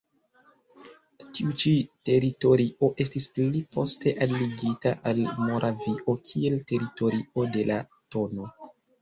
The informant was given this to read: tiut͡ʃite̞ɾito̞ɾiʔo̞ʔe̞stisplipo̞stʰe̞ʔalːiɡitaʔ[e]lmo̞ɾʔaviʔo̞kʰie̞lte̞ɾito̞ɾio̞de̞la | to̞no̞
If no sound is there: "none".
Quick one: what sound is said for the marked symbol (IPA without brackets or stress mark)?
a